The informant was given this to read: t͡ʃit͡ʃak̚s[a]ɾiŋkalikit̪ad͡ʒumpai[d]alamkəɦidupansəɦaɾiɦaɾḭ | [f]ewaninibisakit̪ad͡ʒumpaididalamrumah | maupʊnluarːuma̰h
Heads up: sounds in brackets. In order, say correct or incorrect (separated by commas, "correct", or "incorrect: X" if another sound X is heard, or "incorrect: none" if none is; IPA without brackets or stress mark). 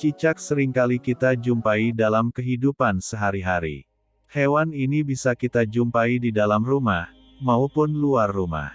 incorrect: ə, correct, incorrect: h